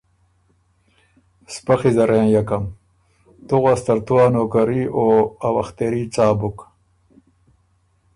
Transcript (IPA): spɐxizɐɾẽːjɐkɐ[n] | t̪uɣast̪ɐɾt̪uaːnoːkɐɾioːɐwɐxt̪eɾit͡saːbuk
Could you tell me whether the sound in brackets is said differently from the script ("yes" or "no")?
yes